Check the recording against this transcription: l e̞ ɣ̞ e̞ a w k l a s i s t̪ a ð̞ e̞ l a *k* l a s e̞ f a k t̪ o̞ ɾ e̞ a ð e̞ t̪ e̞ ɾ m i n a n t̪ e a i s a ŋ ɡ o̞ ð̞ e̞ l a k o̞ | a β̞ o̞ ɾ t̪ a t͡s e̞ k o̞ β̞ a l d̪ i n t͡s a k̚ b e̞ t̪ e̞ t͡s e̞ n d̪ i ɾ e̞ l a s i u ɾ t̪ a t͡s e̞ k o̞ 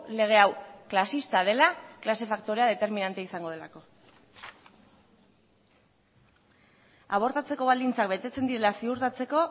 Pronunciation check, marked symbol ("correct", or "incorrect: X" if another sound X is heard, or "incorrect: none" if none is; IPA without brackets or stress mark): correct